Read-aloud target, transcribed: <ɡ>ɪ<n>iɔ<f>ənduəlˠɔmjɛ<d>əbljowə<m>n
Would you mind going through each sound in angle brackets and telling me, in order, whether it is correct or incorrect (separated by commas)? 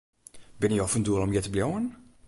incorrect, correct, correct, incorrect, incorrect